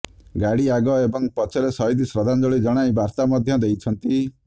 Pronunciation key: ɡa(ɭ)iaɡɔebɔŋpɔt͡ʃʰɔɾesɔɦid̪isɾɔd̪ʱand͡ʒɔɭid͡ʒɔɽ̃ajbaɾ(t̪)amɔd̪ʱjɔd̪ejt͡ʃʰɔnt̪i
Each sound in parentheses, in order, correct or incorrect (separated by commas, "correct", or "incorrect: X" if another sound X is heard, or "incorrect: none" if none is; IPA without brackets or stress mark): incorrect: ɽ, correct